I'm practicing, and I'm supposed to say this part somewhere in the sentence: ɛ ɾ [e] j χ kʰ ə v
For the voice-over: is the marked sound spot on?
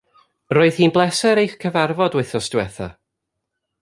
yes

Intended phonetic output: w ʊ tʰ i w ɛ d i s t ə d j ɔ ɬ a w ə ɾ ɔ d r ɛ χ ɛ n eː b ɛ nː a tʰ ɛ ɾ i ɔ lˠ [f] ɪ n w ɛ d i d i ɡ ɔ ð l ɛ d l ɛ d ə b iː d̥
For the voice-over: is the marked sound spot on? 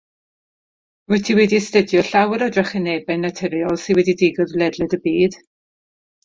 no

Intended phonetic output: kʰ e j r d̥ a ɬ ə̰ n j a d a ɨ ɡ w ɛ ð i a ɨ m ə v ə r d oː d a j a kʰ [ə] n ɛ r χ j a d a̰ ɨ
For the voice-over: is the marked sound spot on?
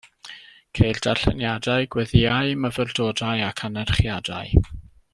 no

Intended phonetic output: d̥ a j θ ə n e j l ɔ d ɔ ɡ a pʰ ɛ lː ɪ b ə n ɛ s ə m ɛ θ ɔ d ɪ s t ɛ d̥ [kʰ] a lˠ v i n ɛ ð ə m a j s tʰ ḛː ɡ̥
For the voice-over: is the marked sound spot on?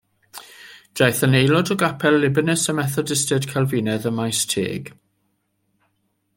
yes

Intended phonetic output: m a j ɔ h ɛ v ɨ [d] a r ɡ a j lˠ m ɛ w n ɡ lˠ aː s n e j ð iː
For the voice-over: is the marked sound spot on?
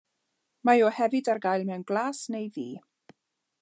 yes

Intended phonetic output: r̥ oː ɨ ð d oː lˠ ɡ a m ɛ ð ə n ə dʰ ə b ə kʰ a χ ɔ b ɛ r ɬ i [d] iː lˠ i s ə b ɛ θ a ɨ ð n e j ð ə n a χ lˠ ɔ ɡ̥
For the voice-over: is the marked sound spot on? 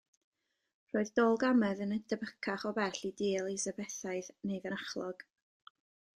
yes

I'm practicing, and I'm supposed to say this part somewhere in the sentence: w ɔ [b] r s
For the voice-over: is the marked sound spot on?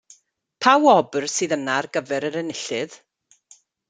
yes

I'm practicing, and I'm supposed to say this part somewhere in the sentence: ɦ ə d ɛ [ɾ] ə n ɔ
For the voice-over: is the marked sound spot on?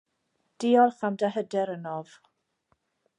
yes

